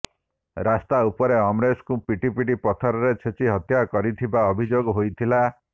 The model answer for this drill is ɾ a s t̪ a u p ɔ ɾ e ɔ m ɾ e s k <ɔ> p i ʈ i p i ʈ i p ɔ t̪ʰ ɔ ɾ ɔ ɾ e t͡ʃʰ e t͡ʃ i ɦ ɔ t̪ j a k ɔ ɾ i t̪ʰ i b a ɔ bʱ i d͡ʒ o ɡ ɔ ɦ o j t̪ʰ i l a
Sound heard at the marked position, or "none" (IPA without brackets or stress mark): u